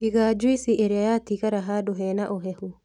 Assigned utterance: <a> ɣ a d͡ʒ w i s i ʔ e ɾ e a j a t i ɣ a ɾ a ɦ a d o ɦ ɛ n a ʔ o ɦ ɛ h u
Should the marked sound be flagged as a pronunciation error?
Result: yes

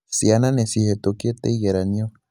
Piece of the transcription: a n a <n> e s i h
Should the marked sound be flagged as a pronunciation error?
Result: no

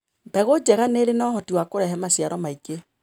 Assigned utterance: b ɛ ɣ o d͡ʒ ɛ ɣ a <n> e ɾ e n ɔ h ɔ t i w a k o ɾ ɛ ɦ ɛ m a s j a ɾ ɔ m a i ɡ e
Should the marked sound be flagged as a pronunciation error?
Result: no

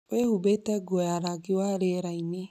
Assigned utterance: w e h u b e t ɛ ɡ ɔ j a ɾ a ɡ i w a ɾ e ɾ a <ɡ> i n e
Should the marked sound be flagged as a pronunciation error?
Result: yes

